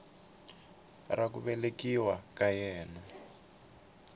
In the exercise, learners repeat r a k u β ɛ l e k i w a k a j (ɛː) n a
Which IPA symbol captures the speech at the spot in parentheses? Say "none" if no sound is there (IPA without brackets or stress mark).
ɛː